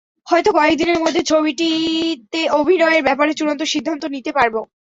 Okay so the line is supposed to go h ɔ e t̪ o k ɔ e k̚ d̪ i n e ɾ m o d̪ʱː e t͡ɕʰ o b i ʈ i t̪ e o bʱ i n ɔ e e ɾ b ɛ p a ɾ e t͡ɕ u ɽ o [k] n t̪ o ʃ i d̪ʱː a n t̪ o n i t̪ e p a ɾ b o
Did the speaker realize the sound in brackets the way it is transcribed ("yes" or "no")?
no